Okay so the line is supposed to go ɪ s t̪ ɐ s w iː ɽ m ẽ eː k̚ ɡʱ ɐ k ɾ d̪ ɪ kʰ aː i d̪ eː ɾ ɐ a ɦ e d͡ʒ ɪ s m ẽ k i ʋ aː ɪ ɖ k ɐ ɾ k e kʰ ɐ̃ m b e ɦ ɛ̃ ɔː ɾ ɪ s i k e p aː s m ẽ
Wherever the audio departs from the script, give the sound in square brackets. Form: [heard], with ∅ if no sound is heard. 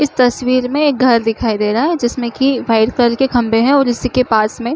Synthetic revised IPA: ɪ s t̪ ɐ s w iː [ɾ] m ẽ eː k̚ ɡʱ ɐ [∅] ɾ d̪ ɪ kʰ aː i d̪ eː ɾ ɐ a ɦ [ɛ] d͡ʒ ɪ s m ẽ k i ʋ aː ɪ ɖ k ɐ ɾ k e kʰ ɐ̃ m b e ɦ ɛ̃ ɔː ɾ ɪ s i k e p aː s m ẽ